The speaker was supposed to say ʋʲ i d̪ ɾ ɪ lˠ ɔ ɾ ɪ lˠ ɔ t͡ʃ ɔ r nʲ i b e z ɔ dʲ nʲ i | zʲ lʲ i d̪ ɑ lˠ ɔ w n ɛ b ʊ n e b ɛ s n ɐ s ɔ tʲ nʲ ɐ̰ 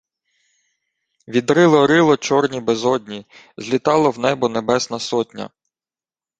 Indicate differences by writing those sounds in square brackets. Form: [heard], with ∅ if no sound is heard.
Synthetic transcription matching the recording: ʋʲ i d̪ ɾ ɪ lˠ ɔ ɾ ɪ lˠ ɔ t͡ʃ ɔ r nʲ i b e z ɔ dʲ nʲ i | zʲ lʲ i [t̪] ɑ lˠ ɔ w n ɛ b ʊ n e b ɛ s n ɐ s ɔ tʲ nʲ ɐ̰